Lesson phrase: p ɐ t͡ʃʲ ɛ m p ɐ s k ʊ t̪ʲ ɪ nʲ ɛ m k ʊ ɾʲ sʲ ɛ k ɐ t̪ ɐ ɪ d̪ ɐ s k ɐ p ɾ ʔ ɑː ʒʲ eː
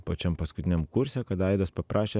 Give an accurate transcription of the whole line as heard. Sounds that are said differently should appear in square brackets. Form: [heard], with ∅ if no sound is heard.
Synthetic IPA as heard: p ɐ t͡ʃʲ ɛ m p ɐ s k ʊ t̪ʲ ɪ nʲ ɛ m k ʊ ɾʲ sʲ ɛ k ɐ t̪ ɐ ɪ d̪ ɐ s [p] ɐ p ɾ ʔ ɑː [ʃʲ] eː

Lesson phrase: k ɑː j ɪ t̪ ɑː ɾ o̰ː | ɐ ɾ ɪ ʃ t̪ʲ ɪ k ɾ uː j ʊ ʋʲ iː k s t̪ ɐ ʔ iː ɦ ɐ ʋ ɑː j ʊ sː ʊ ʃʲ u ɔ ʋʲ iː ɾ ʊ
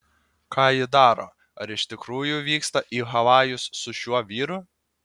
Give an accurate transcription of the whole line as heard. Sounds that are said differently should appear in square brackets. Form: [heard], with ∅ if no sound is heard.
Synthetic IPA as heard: k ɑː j ɪ [d̪] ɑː ɾ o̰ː | ɐ ɾ ɪ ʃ t̪ʲ ɪ k ɾ uː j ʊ ʋʲ iː k s t̪ ɐ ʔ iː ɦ ɐ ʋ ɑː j ʊ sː ʊ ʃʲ u ɔ ʋʲ iː ɾ ʊ

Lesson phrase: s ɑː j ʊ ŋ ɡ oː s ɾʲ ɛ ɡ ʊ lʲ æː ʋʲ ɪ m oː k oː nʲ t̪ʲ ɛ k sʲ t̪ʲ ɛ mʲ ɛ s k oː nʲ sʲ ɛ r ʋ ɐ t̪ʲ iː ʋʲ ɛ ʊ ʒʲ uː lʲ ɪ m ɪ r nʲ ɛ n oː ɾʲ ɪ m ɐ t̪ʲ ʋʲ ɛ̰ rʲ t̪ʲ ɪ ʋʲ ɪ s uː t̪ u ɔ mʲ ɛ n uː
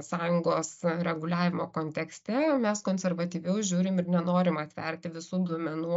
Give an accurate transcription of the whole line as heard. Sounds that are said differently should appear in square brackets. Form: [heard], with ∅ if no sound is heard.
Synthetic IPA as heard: s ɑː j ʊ ŋ ɡ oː s ɾʲ ɛ ɡ ʊ lʲ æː ʋʲ ɪ m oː k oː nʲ t̪ʲ ɛ k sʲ t̪ʲ ɛ mʲ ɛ s k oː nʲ sʲ ɛ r ʋ ɐ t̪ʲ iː ʋʲ ɛ ʊ ʒʲ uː [ɾʲ] ɪ m ɪ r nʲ ɛ n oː ɾʲ ɪ m ɐ t̪ʲ ʋʲ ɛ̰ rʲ t̪ʲ ɪ ʋʲ ɪ s uː [d̪] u ɔ mʲ ɛ n uː

